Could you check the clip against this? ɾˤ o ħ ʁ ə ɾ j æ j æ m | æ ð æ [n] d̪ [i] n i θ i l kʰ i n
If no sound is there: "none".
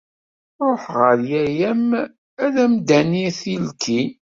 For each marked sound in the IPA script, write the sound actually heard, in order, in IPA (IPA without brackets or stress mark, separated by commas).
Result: m, æ